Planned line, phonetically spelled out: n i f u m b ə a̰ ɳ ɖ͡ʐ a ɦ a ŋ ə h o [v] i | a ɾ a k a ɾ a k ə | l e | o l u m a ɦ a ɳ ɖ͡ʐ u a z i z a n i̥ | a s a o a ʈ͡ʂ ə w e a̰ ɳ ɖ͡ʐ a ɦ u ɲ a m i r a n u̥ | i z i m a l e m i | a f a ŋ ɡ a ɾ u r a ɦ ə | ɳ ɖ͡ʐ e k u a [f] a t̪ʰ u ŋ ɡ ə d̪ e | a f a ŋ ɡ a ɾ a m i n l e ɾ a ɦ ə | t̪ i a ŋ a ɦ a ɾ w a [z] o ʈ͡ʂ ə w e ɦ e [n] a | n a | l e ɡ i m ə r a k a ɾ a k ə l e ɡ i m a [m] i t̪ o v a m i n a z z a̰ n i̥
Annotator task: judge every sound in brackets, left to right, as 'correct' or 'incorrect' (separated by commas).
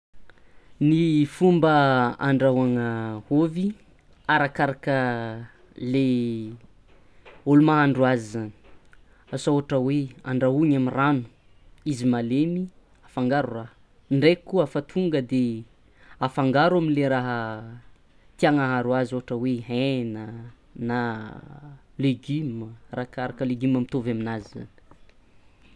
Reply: correct, correct, correct, correct, correct